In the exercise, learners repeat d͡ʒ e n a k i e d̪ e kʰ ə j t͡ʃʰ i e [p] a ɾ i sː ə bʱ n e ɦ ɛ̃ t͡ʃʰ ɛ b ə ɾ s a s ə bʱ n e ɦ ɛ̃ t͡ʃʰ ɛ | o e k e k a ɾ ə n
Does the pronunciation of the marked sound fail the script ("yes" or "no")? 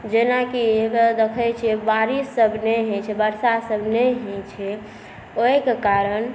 yes